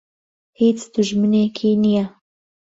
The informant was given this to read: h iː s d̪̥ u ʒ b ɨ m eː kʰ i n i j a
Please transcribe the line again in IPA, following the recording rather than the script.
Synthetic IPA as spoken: h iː t͡s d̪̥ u ʒ m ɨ n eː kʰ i n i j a